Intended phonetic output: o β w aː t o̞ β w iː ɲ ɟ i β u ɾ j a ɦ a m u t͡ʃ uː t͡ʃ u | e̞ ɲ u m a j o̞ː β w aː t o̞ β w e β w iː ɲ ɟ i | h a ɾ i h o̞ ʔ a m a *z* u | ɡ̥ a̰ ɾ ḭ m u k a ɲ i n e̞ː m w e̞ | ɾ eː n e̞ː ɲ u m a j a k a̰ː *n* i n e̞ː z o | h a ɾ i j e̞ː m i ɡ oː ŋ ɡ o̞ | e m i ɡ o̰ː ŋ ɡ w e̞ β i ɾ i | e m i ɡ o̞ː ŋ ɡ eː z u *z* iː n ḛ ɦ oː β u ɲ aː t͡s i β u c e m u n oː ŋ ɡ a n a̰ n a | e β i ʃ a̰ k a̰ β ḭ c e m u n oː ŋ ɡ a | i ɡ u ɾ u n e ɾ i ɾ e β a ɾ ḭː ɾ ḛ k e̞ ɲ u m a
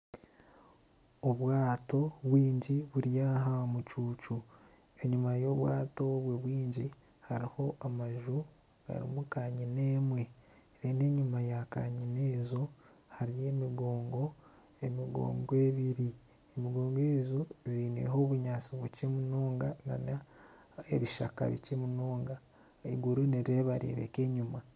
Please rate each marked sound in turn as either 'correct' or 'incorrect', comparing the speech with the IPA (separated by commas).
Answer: incorrect, incorrect, correct